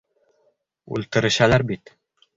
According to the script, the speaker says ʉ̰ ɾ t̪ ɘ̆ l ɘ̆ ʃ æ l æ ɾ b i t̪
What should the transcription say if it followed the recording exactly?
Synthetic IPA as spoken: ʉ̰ l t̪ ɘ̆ ɾ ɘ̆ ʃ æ l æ ɾ b i t̪